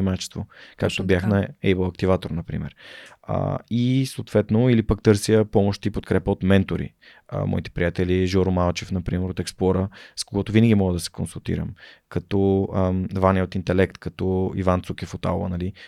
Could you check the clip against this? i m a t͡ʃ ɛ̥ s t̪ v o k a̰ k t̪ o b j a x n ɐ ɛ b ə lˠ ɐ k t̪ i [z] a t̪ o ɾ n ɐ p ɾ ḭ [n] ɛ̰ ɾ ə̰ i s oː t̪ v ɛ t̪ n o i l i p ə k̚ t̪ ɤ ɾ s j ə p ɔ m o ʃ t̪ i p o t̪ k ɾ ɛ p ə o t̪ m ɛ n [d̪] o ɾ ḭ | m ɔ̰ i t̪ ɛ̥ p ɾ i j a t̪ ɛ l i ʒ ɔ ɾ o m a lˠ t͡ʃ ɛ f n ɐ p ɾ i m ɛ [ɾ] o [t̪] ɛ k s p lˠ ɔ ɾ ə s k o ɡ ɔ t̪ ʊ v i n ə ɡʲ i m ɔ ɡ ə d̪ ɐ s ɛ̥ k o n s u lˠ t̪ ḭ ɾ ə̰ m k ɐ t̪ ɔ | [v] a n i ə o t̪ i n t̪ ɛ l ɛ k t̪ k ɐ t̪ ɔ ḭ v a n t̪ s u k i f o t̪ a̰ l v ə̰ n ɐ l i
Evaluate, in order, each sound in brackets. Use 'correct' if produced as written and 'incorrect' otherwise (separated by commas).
incorrect, incorrect, incorrect, correct, correct, correct